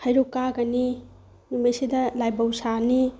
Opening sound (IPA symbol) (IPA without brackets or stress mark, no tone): h